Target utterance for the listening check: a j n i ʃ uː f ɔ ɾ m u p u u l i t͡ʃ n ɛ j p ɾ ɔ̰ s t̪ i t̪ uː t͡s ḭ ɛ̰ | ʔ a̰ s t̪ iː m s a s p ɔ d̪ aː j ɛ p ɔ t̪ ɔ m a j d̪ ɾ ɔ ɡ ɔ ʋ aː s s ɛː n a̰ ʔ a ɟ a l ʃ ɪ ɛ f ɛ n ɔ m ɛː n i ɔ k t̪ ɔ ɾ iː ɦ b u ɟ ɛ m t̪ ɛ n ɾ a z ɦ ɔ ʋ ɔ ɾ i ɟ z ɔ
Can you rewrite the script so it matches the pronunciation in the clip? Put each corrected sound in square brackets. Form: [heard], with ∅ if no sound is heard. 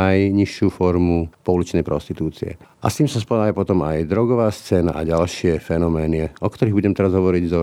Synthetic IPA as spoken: a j [ɲ] i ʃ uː f ɔ ɾ m u p [ɔ] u l i t͡ʃ n ɛ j p ɾ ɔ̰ s t̪ i t̪ uː t͡s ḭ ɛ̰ | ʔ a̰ s t̪ iː m s a s p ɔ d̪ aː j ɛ p ɔ t̪ ɔ m a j d̪ ɾ ɔ ɡ ɔ ʋ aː s [t͡s] ɛː n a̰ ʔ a ɟ a l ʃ ɪ ɛ f ɛ n ɔ m ɛː n i ɔ k t̪ ɔ ɾ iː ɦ b u ɟ ɛ m t̪ ɛ [∅] ɾ a z ɦ ɔ ʋ ɔ ɾ i ɟ z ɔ